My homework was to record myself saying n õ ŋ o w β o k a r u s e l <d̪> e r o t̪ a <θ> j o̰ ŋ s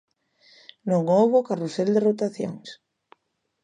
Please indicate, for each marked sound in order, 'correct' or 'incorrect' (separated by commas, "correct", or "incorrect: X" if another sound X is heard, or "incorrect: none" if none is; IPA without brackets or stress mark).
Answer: correct, correct